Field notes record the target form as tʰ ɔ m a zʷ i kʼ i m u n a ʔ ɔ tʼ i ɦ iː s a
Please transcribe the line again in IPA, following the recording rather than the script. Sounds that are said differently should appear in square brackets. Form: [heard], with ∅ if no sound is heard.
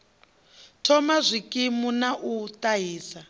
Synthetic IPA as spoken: tʰ ɔ m a zʷ i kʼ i m u n a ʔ [u] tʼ [a] ɦ iː s a